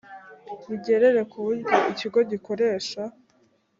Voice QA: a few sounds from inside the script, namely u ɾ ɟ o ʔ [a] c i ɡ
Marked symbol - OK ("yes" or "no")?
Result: no